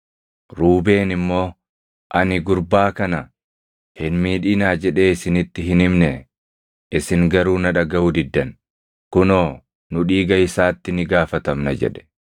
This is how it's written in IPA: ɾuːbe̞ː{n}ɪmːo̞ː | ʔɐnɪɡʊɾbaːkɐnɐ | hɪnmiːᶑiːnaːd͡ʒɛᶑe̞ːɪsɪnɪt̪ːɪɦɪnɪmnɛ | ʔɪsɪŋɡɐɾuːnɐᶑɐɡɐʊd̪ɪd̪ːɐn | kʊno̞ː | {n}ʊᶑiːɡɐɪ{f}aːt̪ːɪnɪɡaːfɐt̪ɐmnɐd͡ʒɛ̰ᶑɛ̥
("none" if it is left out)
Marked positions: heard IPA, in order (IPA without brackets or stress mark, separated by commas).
n, n, s